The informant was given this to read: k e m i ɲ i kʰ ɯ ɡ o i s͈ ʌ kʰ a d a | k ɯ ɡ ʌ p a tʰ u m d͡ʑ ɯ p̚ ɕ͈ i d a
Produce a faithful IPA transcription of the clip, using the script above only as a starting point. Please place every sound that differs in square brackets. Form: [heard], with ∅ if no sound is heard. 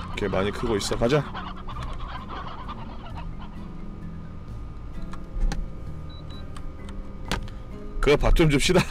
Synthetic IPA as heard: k e m [a] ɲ i kʰ ɯ ɡ o i s͈ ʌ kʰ a [d͡ʑ] a | k ɯ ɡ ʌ p a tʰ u m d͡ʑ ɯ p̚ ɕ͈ i d a